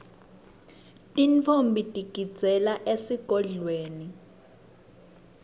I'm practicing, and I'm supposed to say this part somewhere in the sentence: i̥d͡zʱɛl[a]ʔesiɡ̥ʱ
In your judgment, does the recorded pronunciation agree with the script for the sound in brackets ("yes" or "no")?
yes